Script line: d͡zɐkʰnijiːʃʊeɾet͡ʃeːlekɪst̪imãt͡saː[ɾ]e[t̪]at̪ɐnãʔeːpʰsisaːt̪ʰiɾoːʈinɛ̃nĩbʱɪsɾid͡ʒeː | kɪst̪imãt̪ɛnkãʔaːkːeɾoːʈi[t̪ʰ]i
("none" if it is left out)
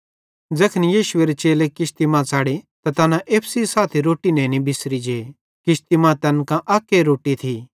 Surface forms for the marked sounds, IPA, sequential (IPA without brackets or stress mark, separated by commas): ɽ, t̪, t̪ʰ